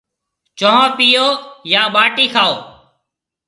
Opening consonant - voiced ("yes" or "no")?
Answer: no